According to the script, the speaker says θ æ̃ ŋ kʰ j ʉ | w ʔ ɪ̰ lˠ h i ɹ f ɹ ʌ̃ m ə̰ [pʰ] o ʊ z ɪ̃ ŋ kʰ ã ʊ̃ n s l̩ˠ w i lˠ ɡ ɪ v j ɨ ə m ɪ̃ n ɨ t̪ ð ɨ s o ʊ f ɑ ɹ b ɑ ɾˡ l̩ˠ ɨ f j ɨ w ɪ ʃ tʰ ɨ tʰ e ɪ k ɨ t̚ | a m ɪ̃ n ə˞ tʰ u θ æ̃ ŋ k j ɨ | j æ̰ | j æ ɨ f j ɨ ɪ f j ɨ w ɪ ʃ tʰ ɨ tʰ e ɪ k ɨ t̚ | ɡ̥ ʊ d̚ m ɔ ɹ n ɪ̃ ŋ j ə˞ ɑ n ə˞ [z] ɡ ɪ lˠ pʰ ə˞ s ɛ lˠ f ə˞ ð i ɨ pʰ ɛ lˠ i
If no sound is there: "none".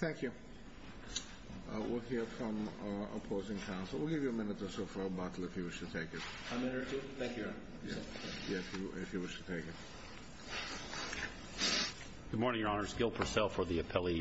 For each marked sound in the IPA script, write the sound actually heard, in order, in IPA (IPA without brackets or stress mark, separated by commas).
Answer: pʰ, z